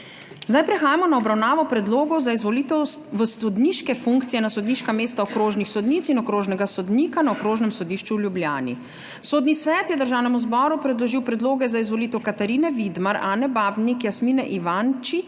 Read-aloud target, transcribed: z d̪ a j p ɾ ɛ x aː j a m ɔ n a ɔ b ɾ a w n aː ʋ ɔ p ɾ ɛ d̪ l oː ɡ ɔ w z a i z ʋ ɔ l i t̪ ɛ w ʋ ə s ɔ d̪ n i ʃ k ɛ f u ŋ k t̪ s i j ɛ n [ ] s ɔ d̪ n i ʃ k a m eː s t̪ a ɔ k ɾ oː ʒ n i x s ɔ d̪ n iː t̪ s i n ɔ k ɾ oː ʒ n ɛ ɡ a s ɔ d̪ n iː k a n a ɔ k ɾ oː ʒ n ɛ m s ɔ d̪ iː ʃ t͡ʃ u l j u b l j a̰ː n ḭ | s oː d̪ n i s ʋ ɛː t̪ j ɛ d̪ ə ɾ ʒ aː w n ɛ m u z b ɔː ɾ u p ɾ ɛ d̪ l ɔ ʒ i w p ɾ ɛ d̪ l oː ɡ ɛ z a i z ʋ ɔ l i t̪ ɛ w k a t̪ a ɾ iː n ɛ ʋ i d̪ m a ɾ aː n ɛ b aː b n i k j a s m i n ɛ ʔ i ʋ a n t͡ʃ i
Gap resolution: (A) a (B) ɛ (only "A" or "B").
A